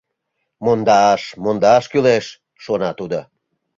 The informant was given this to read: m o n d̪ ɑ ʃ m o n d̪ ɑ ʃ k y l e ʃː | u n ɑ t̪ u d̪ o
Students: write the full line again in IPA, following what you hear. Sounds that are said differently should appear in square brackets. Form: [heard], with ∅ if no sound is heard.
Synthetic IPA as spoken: m o n d̪ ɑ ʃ m o n d̪ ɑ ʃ k y l e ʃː | [o] n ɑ t̪ u d̪ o